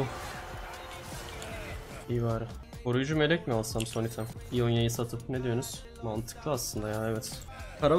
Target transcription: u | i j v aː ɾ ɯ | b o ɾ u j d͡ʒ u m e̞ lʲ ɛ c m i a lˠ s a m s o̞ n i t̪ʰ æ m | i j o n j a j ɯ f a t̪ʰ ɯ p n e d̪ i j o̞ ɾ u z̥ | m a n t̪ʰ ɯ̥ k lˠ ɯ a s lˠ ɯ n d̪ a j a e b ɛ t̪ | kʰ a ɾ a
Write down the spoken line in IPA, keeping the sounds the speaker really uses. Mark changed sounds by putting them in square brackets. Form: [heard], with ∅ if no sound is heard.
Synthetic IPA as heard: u | i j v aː ɾ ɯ | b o ɾ u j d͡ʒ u m e̞ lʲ ɛ c m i a lˠ s a m s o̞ n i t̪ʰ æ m | i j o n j a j ɯ [s] a t̪ʰ ɯ p n e d̪ i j o̞ ɾ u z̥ | m a n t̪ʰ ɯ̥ k lˠ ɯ a s lˠ ɯ n d̪ a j a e [v] ɛ t̪ | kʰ a ɾ a